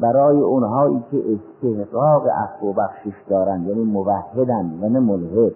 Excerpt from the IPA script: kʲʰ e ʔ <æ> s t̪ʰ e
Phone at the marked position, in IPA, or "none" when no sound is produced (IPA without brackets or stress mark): e